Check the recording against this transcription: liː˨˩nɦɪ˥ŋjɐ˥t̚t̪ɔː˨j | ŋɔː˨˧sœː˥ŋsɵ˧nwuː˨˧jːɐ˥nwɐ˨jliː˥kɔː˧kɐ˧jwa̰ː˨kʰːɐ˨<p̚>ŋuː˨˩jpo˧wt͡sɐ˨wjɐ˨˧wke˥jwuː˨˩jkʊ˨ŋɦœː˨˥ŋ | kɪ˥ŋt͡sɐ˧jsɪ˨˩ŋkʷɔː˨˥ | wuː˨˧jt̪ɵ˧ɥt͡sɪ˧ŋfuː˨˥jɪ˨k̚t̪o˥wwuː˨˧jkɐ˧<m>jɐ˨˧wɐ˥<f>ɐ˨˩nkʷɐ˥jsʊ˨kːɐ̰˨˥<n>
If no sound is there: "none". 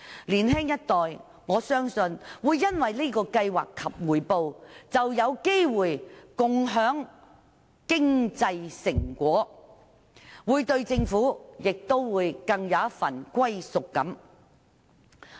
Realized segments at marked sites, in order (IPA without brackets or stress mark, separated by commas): p̚, ŋ, f, m